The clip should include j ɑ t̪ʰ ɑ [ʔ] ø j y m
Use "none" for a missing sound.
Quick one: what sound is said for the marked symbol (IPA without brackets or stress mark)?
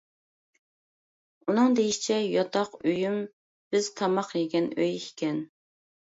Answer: q